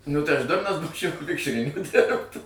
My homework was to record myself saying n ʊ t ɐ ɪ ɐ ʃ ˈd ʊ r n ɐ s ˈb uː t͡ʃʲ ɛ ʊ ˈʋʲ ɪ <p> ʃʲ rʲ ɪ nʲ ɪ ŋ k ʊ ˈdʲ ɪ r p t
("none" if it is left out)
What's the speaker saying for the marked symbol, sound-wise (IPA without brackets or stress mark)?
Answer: k